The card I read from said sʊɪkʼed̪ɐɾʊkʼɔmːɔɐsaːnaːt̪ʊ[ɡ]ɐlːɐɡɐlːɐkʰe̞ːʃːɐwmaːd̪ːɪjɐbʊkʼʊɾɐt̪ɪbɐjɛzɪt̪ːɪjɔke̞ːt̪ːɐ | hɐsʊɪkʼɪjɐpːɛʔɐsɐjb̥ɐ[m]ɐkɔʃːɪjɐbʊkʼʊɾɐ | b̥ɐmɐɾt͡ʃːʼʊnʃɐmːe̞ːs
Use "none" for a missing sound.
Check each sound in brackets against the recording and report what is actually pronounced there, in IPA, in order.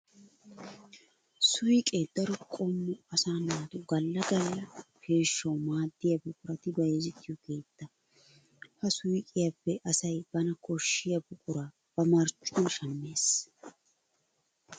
ɡ, n

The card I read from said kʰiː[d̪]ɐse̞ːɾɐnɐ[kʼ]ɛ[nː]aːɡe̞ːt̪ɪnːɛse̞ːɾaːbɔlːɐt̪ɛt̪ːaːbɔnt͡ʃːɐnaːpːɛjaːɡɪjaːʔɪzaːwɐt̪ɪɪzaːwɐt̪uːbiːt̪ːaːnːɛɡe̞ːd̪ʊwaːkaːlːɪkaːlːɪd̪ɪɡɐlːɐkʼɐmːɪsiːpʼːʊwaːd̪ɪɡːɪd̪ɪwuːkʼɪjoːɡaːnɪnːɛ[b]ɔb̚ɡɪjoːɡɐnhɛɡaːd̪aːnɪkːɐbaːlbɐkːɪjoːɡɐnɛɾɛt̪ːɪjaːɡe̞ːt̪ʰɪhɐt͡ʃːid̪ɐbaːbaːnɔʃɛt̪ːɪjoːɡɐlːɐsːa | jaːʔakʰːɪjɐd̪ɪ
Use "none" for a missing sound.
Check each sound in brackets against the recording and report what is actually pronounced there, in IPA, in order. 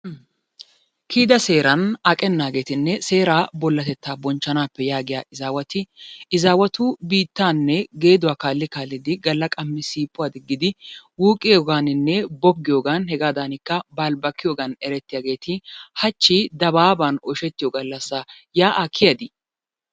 d̪, kʼ, nː, b

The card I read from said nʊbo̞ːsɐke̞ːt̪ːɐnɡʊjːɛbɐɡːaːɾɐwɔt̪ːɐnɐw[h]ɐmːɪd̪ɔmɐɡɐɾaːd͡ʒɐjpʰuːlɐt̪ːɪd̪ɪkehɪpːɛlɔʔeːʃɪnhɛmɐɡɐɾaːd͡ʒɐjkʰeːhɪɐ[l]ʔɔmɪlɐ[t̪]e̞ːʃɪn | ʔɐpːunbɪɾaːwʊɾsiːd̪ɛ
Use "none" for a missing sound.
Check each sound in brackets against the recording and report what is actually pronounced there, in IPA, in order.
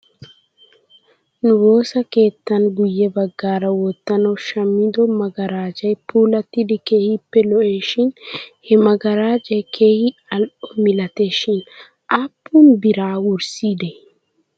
ʃ, l, t̪

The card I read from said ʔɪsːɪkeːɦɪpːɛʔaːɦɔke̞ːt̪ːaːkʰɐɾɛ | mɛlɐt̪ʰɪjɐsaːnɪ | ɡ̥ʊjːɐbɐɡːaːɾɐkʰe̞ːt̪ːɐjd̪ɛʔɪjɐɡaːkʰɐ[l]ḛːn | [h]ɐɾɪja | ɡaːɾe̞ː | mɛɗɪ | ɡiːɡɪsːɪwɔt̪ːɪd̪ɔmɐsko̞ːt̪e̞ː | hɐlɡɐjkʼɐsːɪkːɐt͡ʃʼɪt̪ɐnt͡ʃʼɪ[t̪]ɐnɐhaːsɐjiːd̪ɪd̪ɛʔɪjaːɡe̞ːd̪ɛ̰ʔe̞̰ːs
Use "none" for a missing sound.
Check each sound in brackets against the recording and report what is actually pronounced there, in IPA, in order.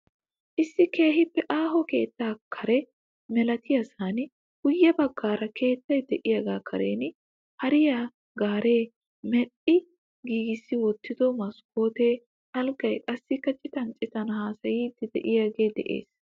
ɾ, h, t̪

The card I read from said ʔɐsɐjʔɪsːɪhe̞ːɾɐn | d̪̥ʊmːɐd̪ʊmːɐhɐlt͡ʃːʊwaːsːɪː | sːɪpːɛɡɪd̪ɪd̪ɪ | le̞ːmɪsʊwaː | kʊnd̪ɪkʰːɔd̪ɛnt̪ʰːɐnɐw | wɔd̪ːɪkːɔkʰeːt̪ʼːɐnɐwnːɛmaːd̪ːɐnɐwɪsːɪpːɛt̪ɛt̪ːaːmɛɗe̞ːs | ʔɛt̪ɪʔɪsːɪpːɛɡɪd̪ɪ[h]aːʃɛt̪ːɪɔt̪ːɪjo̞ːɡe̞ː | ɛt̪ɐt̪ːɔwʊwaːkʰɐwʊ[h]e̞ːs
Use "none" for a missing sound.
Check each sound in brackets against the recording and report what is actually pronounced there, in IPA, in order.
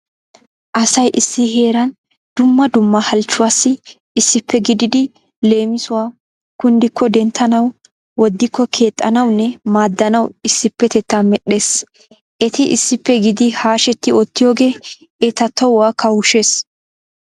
h, ʃ

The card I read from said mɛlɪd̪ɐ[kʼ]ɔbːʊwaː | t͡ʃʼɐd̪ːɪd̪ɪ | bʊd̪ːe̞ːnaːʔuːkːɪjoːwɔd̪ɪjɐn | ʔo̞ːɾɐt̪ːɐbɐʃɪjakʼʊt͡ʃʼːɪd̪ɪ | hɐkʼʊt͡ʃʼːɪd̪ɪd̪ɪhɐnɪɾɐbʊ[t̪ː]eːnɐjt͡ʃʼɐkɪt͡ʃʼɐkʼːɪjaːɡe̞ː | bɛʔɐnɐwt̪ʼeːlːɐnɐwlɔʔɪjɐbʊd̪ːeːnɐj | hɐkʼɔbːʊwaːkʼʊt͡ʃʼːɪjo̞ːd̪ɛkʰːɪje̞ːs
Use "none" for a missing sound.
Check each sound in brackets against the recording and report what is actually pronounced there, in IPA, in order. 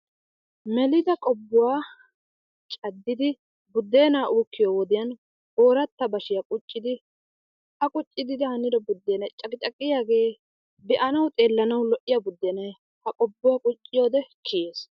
kʼ, d̪ː

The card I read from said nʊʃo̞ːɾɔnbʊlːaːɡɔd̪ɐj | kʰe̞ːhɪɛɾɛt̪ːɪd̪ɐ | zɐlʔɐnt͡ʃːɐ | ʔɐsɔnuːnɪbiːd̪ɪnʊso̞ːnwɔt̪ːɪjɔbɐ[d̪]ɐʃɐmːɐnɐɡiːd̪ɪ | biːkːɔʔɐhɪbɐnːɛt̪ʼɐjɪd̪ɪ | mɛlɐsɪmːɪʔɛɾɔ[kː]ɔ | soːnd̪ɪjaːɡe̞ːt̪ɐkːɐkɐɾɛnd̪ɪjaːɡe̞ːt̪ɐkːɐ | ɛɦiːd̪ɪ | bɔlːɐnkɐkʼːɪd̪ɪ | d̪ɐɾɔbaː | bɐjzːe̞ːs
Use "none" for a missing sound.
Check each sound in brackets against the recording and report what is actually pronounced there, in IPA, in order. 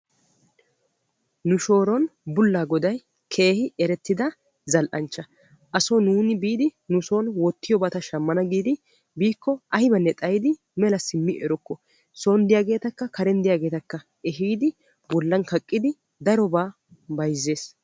t̪, kː

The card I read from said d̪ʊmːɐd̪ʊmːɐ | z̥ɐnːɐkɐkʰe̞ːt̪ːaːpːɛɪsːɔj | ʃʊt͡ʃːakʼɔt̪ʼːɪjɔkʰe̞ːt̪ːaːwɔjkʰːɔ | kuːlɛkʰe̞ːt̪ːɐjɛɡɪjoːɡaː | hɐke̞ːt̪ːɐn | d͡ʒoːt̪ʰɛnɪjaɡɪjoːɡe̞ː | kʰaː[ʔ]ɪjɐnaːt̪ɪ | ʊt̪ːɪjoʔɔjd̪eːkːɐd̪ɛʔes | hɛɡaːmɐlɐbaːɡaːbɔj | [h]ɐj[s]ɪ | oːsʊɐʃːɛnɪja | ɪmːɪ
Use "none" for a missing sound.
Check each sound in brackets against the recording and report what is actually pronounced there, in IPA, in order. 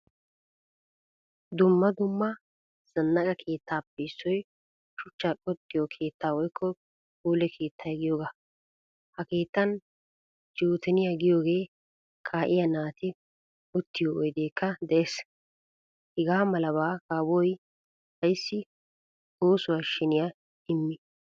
ʔ, h, sː

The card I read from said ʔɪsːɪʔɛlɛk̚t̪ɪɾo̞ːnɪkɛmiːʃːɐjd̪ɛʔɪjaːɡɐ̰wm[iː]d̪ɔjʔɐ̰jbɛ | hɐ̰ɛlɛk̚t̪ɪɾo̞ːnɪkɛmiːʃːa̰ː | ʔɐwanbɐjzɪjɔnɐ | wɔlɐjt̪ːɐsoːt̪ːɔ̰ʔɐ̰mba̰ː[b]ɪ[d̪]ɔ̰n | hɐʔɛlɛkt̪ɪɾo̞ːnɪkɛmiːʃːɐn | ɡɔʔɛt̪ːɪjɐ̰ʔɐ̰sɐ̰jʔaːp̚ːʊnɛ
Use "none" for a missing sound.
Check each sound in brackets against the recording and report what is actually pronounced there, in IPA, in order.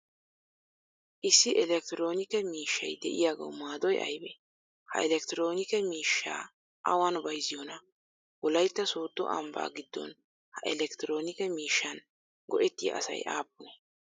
aː, ɡ, d̪ː

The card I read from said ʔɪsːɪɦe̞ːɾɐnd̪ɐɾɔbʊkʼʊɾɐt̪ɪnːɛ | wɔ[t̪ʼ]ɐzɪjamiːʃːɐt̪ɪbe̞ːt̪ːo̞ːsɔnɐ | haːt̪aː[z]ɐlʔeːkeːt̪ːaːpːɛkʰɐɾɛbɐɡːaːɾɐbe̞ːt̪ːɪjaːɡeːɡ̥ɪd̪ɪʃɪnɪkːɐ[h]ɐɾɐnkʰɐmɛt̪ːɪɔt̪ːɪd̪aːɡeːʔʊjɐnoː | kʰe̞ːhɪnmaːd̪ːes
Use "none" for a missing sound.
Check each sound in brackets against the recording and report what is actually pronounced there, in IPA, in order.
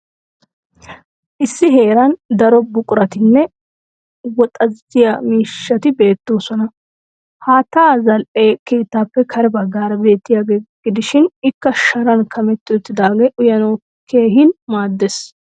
t̪ʼ, z, ʃ

